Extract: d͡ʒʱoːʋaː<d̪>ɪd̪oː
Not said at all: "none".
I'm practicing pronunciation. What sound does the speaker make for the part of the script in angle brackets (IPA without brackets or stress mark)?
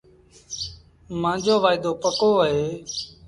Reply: none